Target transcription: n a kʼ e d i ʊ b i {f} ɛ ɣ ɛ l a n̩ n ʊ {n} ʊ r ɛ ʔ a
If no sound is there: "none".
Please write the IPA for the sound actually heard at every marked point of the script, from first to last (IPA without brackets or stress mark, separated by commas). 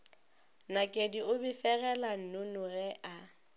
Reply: f, n